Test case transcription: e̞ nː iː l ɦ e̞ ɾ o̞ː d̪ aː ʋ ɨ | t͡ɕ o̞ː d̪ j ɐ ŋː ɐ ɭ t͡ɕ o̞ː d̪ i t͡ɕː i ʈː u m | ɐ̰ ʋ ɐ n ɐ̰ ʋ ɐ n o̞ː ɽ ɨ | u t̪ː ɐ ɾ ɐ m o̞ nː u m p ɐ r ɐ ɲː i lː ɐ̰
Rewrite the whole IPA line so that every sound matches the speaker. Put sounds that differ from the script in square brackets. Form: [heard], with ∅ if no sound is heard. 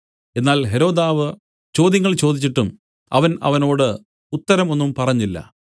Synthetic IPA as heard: e̞ nː [aː] l ɦ e̞ ɾ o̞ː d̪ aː ʋ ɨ | t͡ɕ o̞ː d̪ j ɐ ŋː ɐ ɭ t͡ɕ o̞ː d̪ i t͡ɕː i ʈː u m | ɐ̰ ʋ ɐ n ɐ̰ ʋ ɐ n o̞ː ɽ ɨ | u t̪ː ɐ ɾ ɐ m o̞ nː u m p ɐ r ɐ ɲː i lː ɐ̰